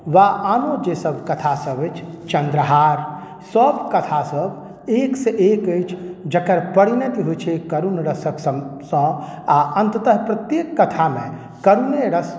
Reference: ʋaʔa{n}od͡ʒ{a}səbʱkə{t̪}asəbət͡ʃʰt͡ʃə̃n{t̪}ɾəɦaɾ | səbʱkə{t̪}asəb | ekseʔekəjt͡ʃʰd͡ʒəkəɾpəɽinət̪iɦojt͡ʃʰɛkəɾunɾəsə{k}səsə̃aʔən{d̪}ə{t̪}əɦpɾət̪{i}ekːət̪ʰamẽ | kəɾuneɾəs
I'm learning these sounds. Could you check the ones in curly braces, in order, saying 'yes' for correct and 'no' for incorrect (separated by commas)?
yes, no, no, no, no, yes, no, yes, no